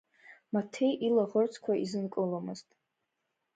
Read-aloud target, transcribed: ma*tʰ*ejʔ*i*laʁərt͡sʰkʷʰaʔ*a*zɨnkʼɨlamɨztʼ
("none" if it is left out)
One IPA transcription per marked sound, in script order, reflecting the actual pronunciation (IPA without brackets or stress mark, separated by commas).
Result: tʰ, i, i